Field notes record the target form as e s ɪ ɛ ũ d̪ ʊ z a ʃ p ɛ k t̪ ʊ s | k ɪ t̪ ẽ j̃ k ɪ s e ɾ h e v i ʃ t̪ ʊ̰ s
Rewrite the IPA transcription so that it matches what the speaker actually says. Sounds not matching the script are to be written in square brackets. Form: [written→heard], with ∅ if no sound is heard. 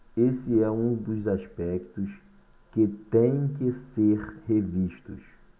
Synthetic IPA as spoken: e s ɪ ɛ ũ d̪ ʊ z a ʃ p ɛ k t̪ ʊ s | k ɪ t̪ ẽ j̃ k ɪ s e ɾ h e v i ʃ t̪ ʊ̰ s